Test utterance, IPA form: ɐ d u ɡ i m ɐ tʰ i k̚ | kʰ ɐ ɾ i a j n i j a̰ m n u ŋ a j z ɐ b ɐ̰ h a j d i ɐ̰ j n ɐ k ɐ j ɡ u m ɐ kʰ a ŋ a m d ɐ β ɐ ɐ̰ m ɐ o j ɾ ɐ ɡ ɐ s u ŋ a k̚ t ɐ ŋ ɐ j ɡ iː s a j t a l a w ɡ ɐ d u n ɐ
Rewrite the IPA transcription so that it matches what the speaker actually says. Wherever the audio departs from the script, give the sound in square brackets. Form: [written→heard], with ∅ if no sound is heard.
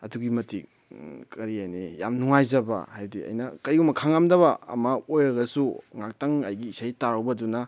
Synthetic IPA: ɐ d u ɡ i m ɐ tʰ i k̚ | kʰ ɐ ɾ i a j n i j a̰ m n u ŋ a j z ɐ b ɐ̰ h a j d i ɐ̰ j n ɐ k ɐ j ɡ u m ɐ kʰ a ŋ a m d ɐ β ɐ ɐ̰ m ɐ o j ɾ ɐ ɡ ɐ s u ŋ a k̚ t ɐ ŋ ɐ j ɡ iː s a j t a [l→ɾ] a w [ɡ→b] ɐ d u n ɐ